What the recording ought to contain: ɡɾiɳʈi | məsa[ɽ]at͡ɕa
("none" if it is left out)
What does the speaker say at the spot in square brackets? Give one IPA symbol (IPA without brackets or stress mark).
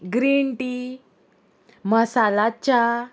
l